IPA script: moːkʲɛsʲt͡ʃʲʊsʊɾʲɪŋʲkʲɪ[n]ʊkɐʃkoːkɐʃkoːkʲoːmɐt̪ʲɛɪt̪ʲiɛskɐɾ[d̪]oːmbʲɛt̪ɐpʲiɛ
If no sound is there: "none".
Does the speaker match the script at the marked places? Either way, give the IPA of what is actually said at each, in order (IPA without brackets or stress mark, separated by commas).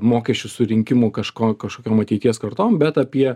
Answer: m, t̪